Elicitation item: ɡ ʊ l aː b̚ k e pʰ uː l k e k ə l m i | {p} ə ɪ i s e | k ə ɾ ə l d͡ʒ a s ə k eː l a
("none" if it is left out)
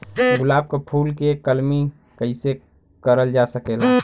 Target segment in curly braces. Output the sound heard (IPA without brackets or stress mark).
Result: k